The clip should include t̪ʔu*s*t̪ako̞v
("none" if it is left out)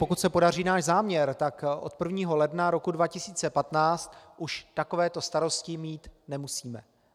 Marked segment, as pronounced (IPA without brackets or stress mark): ʃ